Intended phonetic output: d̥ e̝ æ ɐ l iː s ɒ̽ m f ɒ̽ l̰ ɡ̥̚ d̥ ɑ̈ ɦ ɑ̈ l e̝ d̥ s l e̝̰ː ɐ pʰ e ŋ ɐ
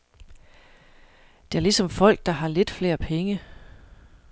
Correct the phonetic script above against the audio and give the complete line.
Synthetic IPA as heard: d̥ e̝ æ ɐ l i s ɒ̽ m f ɒ̽ l̰ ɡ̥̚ d̥ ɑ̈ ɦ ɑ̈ l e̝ d̥ f l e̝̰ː ɐ pʰ e ŋ ə